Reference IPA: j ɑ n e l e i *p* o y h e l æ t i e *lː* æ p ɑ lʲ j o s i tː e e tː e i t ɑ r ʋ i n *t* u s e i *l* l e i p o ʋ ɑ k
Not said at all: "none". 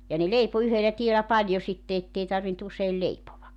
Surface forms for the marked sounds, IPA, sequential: p, l, t, l

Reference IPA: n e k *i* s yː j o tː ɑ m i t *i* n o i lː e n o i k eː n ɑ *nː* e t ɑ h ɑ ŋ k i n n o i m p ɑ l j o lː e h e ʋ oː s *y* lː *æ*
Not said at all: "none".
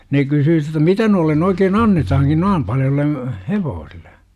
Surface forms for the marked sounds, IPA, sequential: y, æ, nː, i, e

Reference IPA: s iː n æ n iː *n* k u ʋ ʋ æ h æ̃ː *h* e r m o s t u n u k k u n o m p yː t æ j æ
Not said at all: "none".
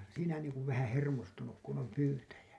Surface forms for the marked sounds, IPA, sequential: ŋ, h

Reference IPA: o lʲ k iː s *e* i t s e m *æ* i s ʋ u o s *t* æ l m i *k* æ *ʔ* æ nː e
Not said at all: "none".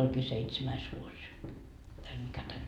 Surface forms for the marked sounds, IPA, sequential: e, æ, t, k, t

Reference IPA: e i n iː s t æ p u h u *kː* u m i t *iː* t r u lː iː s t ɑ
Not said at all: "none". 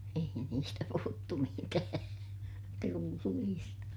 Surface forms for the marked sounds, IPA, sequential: tː, æː

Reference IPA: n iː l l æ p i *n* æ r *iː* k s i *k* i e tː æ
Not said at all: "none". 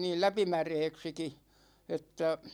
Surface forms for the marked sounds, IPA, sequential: m, eː, k

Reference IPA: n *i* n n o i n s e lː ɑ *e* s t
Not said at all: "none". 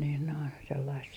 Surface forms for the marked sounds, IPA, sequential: iː, i

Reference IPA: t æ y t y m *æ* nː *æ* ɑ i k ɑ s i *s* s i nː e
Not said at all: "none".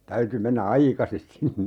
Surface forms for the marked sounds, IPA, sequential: e, æ, s

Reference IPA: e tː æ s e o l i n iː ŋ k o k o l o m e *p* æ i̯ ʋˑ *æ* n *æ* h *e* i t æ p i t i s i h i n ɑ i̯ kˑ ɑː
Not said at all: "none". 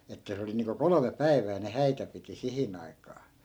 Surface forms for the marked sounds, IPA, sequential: p, æː, e, æ

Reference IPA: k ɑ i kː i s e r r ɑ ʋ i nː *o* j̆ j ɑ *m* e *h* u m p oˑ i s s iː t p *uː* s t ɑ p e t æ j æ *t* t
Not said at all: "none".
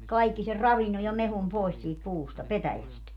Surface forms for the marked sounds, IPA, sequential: o, m, h, uː, s

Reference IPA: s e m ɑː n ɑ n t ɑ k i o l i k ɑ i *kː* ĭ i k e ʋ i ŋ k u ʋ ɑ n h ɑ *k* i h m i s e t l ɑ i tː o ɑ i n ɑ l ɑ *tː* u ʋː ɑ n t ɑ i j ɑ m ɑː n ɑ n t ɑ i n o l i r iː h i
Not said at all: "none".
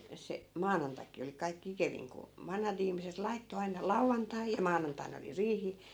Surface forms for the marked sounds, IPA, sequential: kː, t, none

